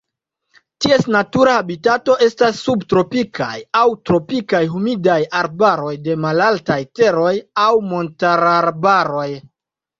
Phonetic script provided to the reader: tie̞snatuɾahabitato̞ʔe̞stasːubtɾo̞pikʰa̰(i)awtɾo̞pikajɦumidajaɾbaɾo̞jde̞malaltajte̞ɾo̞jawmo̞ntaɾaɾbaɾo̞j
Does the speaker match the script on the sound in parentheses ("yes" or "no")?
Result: no